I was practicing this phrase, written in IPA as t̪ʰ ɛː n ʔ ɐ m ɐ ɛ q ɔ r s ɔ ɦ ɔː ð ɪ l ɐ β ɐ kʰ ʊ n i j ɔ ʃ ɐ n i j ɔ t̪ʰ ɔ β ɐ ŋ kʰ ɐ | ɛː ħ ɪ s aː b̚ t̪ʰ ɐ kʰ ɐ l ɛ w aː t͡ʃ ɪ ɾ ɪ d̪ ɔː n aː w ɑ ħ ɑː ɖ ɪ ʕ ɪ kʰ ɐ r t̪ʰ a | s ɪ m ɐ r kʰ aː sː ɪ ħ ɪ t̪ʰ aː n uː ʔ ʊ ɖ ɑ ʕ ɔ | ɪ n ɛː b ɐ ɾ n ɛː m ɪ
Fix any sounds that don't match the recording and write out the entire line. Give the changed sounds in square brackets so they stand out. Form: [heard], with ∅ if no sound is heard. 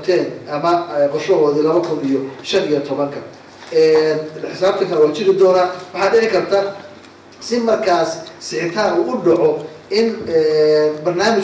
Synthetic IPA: t̪ʰ ɛː n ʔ ɐ m ɐ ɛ q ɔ r [ʃ] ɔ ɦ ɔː ð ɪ l ɐ β ɐ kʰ ʊ n i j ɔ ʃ ɐ n i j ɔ t̪ʰ ɔ β ɐ ŋ kʰ ɐ | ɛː ħ ɪ s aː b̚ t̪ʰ ɐ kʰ ɐ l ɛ w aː t͡ʃ ɪ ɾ ɪ d̪ ɔː n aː w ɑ ħ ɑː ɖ ɪ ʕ ɪ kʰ ɐ r t̪ʰ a | s ɪ m ɐ r kʰ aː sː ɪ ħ ɪ t̪ʰ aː n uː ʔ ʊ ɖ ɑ ʕ ɔ | ɪ n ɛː b ɐ [r] n [aː] m ɪ

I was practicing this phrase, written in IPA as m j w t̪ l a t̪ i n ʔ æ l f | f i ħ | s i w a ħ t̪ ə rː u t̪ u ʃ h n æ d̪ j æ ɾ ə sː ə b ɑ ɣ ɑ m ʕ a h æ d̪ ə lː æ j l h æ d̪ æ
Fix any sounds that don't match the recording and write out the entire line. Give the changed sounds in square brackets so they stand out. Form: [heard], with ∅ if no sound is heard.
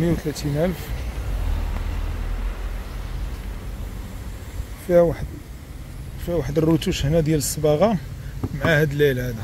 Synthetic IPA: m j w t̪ l [æ] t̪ i n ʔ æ l f | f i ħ | [f] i w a ħ [d̪] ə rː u t̪ u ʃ h n æ d̪ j æ [l] ə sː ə b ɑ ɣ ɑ m ʕ a h æ d̪ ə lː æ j l h æ d̪ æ

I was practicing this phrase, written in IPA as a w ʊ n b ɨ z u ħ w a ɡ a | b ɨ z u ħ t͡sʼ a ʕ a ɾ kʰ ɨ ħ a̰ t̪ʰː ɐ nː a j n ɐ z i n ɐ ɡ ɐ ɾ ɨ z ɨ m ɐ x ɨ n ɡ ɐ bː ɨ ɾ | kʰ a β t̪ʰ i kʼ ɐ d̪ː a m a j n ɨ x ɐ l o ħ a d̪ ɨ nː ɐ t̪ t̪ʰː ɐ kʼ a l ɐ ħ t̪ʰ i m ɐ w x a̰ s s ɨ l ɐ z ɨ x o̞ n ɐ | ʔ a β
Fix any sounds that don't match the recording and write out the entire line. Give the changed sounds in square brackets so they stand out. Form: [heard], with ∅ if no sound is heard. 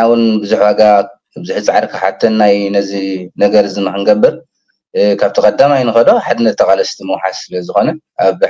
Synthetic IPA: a w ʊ n b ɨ z u ħ w a ɡ a | b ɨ z u ħ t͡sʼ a ʕ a ɾ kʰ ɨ ħ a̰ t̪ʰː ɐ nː a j n ɐ z i n ɐ ɡ ɐ ɾ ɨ z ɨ m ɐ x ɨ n ɡ ɐ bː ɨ ɾ | kʰ a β t̪ʰ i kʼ ɐ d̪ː a m a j n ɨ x ɐ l o ħ a d̪ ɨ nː ɐ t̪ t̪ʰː ɐ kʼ a l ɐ [s] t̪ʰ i m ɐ w [ħ] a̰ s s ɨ l ɐ z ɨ x o̞ n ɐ | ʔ a β

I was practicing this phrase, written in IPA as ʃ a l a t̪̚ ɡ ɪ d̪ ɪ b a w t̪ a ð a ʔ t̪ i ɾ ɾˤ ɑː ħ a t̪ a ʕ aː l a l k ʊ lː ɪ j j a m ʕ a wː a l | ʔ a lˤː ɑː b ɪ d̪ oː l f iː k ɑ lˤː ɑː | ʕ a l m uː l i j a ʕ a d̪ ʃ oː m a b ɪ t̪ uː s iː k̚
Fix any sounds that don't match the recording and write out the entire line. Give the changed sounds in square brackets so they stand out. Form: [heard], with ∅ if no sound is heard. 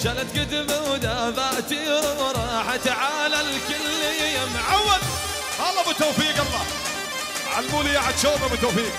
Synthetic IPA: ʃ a l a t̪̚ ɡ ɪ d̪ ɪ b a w [d̪] a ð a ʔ t̪ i ɾ ɾˤ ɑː ħ a t̪ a ʕ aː l a l k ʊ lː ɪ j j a m ʕ a wː a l | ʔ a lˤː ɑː b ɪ [t̪] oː [∅] f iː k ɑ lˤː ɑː | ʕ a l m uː l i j a ʕ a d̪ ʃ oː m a b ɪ t̪ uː [f] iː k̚

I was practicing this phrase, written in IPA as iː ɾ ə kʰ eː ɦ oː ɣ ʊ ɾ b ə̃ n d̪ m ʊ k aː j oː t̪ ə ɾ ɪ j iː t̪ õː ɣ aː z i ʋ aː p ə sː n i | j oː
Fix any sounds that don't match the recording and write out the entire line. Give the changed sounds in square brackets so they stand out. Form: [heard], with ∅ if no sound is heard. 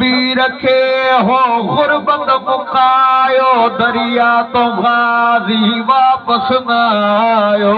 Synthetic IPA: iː ɾ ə kʰ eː ɦ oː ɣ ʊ ɾ b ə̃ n d̪ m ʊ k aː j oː [d̪] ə ɾ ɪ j [aː] t̪ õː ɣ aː z i ʋ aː p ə [s] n [a] | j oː

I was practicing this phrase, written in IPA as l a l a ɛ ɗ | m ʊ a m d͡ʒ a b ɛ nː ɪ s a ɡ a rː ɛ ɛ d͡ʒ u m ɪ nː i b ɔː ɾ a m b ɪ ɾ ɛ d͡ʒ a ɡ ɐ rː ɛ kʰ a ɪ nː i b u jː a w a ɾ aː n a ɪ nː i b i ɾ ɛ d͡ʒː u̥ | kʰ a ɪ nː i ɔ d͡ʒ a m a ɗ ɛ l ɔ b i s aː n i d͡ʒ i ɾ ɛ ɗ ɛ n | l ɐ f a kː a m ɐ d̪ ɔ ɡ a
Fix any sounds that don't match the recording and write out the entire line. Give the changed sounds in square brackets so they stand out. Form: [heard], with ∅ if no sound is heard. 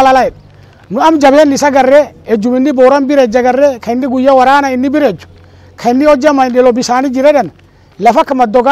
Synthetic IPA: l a l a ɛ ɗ | [n] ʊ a m d͡ʒ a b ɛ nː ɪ s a ɡ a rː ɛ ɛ d͡ʒ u m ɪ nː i b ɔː ɾ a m b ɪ ɾ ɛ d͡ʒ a ɡ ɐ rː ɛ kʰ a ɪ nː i [ɡ] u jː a w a ɾ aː n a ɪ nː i b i ɾ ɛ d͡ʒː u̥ | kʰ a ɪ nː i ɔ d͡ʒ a m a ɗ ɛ l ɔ b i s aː n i d͡ʒ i ɾ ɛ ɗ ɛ n | l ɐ f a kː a m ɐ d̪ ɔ ɡ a

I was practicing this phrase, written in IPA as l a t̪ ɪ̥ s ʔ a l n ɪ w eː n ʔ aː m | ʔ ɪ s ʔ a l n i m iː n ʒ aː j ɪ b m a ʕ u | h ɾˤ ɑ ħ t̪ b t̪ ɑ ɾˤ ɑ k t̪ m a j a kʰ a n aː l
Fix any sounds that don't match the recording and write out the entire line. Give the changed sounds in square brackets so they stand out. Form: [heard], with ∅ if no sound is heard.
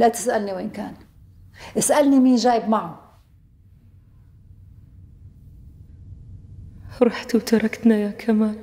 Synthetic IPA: l a t̪ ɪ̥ s ʔ a l n [i] w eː n [k] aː [n] | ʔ ɪ s ʔ a l n i m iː n ʒ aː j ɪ b m a ʕ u | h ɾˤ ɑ ħ t̪ [w] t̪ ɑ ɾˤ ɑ k t̪ [n] a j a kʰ a [m] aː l

